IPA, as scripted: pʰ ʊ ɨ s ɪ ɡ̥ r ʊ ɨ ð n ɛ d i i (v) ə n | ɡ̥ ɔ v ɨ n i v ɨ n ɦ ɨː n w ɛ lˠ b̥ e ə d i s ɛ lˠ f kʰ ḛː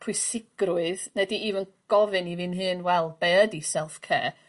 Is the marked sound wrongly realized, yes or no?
no